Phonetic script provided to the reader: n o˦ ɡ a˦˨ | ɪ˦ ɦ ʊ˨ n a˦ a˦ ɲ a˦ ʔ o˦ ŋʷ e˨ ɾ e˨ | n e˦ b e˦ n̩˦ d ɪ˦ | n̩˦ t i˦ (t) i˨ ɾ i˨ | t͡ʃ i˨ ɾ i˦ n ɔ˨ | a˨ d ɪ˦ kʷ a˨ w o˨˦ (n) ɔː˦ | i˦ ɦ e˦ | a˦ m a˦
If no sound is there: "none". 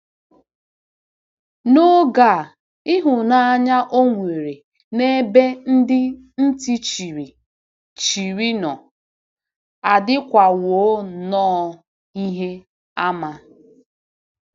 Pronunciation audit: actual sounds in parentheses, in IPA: t͡ʃ, n

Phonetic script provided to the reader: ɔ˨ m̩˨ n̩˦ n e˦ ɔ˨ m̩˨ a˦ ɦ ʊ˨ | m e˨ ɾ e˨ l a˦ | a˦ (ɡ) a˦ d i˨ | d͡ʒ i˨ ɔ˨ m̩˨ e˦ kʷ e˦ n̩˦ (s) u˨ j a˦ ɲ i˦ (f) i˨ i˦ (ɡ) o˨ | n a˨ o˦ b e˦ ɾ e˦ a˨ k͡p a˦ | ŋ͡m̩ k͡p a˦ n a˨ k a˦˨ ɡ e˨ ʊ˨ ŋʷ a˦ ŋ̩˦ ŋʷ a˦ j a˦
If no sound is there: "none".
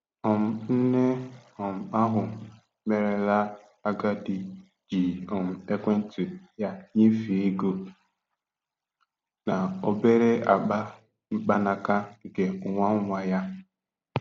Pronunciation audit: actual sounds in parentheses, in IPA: ɡ, t, f, ɡ

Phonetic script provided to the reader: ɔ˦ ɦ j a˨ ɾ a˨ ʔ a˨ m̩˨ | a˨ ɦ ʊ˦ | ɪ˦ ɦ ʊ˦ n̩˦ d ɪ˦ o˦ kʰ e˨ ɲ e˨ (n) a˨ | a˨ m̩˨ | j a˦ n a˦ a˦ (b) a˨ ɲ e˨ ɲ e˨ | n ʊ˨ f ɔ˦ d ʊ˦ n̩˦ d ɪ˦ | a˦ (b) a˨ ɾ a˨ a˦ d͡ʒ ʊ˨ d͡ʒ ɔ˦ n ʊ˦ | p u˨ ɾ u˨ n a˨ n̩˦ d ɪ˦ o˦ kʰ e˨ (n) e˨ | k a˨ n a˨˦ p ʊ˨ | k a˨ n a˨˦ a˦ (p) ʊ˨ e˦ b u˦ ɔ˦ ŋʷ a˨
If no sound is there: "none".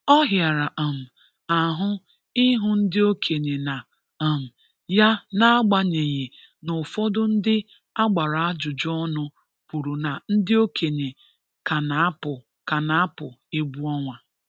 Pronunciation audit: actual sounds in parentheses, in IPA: n, ɡ͡b, ɡ͡b, ɲ, p

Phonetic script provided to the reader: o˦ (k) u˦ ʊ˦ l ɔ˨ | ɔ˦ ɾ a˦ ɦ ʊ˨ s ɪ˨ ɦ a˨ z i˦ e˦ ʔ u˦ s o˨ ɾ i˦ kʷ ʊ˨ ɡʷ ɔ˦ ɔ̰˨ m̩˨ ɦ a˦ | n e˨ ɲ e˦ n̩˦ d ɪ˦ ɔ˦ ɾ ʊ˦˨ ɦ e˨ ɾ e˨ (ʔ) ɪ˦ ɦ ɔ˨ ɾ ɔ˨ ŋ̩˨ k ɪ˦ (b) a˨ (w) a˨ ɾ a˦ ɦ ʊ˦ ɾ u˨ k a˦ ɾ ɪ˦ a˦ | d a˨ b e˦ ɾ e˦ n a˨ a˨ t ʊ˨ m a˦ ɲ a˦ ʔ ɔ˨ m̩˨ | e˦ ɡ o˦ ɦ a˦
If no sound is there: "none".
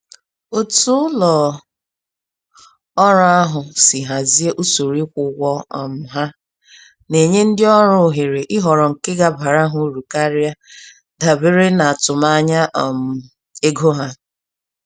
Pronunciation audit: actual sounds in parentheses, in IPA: t, ʔ, ɡ, b

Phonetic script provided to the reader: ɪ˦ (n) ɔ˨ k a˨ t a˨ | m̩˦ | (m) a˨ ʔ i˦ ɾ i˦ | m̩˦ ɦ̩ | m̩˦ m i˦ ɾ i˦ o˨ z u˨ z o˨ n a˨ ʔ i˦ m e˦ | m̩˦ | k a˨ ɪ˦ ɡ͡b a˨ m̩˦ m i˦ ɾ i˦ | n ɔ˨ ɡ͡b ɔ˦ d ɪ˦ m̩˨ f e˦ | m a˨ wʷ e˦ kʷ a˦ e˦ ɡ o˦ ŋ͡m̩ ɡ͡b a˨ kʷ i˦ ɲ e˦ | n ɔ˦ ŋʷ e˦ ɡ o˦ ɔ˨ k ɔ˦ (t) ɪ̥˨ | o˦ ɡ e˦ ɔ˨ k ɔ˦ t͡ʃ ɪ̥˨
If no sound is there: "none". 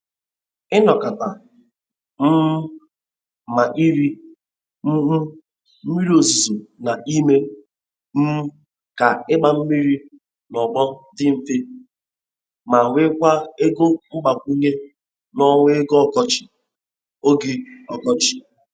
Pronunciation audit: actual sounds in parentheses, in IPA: n, m, t͡ʃ

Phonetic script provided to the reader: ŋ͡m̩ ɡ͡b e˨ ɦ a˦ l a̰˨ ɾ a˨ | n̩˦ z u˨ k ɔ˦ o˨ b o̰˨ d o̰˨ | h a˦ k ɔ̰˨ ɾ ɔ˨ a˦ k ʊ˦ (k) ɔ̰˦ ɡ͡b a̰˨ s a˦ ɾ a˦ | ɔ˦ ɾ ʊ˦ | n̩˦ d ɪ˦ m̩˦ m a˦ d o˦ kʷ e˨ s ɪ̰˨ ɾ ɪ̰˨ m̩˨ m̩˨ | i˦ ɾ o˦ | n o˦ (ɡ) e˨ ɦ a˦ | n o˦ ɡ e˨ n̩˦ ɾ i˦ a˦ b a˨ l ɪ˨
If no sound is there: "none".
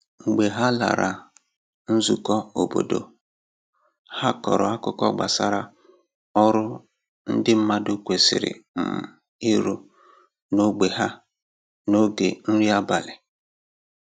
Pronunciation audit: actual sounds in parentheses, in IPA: k, ɡ͡b

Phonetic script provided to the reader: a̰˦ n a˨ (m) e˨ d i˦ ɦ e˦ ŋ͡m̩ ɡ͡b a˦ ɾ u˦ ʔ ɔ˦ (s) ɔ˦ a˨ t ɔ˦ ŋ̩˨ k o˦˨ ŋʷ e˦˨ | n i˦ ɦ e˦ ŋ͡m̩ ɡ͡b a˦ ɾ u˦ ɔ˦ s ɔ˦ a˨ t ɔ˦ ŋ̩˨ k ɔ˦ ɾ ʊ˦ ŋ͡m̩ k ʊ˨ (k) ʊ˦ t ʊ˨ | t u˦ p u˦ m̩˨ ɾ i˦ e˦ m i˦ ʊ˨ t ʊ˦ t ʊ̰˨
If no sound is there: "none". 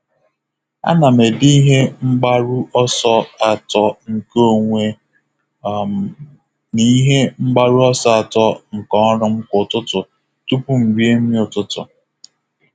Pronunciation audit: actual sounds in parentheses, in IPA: m, s, t

